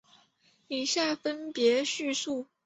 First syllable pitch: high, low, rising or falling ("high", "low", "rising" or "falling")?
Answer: low